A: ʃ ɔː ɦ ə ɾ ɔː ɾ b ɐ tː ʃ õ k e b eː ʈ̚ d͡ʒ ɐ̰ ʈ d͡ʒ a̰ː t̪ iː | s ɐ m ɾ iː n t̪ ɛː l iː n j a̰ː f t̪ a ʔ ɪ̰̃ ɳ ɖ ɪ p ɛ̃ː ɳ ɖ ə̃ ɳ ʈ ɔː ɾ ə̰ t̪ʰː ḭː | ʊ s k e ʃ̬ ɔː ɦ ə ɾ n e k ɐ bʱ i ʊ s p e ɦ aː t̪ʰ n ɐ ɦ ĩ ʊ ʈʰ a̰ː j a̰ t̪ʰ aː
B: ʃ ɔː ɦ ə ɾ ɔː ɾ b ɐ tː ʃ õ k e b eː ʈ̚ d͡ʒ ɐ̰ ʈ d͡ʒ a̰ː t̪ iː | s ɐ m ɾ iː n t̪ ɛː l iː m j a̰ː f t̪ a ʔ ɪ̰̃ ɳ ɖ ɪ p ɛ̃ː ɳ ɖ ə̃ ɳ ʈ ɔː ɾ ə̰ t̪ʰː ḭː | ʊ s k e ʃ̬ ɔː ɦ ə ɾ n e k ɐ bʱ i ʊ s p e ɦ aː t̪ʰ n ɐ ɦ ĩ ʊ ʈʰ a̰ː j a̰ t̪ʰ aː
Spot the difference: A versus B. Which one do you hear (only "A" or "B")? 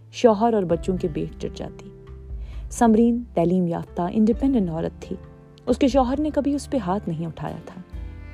B